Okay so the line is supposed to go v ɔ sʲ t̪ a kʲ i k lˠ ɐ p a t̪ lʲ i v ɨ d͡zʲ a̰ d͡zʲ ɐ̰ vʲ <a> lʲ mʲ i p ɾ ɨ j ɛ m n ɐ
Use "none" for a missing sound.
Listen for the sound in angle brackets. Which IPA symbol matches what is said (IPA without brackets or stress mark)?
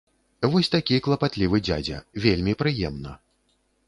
e